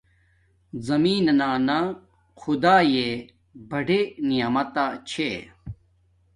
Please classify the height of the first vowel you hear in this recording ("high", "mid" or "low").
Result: low